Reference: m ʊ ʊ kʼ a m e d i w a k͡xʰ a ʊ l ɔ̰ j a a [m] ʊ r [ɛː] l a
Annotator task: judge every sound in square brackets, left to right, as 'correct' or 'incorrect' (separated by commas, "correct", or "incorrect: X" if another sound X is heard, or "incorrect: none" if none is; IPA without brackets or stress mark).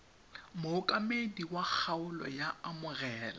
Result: correct, correct